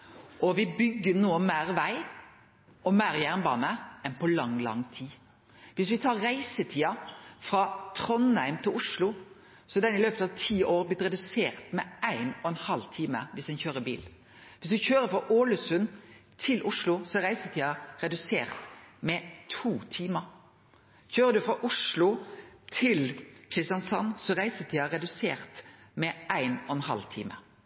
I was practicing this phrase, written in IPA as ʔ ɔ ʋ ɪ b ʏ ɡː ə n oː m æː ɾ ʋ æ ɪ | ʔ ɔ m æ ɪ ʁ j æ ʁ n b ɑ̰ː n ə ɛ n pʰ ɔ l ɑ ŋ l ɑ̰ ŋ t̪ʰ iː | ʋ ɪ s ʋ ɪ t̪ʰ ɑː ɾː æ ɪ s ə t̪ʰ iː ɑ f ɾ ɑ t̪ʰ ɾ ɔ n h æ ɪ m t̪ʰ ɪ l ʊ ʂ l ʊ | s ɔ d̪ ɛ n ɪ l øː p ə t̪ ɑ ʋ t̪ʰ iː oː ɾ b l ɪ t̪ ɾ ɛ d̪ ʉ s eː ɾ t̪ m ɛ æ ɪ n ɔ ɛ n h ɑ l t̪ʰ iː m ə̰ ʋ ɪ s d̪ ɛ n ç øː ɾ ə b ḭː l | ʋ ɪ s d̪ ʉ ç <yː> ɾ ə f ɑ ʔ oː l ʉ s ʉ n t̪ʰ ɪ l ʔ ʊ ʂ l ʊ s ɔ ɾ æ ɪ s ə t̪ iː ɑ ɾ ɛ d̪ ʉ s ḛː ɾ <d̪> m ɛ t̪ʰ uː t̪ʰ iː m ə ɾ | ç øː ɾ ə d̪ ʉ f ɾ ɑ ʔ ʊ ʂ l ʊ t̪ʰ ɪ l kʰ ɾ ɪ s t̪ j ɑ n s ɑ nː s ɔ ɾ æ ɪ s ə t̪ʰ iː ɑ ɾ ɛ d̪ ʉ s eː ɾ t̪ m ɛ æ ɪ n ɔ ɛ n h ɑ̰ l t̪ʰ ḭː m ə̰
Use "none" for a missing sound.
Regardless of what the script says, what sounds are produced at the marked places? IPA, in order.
øː, t̪

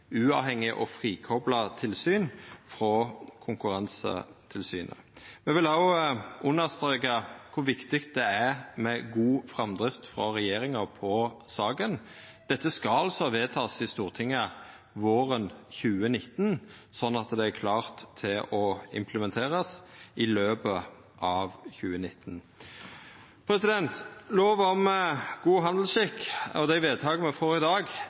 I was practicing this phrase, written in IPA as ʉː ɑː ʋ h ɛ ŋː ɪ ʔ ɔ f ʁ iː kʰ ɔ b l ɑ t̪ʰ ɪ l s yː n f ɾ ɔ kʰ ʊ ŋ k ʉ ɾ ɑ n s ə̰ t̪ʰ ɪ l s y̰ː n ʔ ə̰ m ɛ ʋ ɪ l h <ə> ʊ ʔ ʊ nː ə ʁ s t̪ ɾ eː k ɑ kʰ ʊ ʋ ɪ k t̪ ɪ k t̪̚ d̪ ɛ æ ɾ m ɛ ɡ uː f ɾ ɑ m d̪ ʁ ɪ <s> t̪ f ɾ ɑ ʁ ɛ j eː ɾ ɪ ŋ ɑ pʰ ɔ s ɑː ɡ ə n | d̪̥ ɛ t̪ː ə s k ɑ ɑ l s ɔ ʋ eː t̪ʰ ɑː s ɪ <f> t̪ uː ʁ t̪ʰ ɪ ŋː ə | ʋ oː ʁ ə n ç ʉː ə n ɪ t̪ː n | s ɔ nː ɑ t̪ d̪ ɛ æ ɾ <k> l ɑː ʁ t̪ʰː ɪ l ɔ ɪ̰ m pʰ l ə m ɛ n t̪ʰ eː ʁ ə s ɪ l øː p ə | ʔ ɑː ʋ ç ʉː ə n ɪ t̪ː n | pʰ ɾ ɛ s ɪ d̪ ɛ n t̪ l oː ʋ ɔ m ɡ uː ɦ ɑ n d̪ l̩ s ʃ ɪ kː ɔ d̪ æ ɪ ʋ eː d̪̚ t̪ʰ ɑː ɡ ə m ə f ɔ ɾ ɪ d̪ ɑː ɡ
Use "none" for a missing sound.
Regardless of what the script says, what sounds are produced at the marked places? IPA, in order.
ɑ, f, s, kʰ

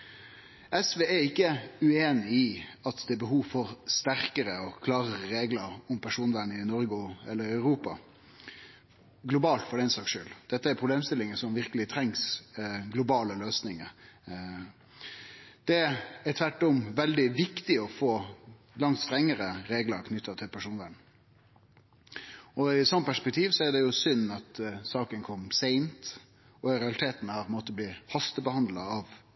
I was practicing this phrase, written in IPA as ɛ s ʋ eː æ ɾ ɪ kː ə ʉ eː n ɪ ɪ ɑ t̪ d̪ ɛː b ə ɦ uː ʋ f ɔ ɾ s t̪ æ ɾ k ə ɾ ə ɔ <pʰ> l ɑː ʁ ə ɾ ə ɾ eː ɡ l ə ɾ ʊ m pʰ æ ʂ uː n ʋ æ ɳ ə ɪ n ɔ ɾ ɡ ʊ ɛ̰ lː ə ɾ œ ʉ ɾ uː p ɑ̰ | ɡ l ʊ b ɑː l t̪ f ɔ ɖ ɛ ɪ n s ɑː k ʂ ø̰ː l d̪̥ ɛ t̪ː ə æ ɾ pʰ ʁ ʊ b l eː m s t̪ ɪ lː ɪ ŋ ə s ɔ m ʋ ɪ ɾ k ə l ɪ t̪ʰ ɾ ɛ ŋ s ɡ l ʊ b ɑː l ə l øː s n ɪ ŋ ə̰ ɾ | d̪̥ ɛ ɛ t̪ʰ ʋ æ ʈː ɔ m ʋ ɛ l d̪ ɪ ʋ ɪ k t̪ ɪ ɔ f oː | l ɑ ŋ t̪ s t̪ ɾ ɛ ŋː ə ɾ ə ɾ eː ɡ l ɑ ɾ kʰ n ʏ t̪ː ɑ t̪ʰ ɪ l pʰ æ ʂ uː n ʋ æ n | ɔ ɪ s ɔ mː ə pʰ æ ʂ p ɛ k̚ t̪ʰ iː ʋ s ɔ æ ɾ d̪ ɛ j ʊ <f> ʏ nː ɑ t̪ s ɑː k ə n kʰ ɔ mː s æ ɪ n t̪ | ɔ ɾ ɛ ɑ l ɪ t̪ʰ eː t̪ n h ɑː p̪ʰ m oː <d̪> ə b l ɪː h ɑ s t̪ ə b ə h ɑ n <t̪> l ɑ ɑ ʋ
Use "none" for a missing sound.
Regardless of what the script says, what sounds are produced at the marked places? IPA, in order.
kʰ, s, t̪, d̪

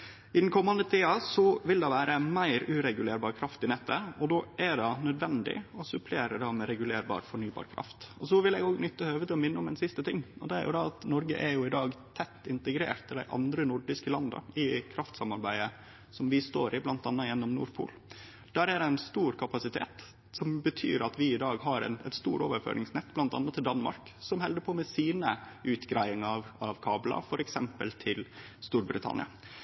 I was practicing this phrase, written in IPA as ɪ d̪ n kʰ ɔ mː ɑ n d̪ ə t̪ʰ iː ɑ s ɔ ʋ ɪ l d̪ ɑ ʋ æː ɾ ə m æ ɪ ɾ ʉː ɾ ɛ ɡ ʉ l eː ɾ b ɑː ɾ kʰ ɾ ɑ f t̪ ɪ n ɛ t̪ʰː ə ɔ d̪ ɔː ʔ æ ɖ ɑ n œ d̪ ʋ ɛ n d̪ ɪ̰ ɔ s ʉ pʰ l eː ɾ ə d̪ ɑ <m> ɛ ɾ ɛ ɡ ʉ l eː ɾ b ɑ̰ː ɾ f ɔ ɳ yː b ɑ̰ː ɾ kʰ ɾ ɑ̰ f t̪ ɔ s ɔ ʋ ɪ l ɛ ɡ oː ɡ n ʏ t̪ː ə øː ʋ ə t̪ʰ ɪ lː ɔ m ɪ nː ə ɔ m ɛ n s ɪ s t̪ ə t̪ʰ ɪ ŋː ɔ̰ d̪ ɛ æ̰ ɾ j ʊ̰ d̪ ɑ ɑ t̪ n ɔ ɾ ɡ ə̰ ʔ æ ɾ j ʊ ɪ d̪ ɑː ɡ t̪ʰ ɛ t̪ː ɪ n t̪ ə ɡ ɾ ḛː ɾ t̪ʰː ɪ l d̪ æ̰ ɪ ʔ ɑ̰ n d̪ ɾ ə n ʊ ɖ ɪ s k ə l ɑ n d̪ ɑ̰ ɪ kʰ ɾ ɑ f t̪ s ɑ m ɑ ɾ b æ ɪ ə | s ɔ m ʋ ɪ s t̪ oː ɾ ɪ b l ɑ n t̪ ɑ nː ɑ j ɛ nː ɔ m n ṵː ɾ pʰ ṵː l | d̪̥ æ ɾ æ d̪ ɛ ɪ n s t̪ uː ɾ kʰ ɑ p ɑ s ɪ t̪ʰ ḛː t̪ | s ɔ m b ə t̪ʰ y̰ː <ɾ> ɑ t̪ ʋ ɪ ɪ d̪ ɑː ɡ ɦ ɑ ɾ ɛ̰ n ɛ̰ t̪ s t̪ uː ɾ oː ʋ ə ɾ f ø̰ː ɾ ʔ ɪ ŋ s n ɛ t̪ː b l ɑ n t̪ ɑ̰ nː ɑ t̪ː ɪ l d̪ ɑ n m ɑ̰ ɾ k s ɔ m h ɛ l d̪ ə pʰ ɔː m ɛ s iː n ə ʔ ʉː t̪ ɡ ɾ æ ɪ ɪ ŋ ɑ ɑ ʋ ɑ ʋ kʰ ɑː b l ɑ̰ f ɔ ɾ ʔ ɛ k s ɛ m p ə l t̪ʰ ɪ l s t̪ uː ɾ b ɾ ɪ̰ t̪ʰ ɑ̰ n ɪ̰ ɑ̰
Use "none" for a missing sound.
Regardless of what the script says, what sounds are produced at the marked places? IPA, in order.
m, ɾ

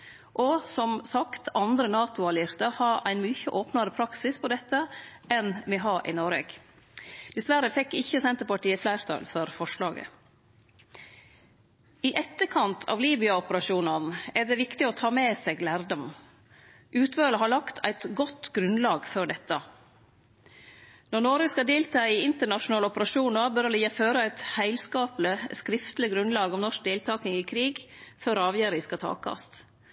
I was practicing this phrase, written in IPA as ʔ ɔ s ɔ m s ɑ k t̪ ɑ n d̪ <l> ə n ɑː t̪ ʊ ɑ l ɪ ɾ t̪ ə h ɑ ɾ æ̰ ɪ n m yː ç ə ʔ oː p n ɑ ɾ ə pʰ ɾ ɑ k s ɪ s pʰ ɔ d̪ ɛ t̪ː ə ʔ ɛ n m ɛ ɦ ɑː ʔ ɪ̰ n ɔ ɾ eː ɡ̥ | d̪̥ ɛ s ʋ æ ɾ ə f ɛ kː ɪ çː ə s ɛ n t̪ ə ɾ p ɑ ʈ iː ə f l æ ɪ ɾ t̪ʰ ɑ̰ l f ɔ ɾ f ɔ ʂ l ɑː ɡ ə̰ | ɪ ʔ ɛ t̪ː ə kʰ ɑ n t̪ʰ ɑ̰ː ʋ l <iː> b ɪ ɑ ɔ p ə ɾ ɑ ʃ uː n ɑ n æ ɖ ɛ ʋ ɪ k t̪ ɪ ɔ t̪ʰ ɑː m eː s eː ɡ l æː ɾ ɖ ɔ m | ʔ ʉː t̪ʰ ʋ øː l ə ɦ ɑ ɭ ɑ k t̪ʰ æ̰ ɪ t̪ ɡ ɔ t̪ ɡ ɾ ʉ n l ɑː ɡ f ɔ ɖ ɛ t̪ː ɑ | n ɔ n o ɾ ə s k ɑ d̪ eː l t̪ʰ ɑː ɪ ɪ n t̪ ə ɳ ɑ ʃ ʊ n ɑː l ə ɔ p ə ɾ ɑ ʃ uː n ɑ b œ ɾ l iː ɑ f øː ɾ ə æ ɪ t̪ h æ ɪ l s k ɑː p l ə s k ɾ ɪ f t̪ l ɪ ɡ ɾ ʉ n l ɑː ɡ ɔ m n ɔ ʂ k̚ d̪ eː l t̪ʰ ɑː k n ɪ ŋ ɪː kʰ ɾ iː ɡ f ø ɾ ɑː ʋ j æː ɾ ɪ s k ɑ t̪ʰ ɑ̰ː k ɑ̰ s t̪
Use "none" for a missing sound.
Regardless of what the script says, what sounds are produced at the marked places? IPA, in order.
ɾ, iː

